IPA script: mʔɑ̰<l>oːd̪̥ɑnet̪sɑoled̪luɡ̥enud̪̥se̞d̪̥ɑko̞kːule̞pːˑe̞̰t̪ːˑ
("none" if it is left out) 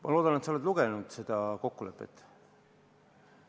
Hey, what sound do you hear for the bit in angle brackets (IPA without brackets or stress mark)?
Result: l